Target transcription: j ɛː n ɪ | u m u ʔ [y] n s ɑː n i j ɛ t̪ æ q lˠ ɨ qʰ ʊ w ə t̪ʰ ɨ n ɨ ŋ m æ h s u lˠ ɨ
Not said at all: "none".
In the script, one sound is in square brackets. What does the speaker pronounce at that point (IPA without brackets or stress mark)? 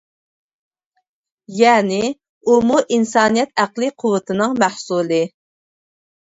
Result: i